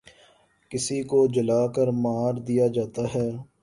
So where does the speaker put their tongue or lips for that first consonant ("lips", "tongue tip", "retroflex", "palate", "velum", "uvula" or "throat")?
velum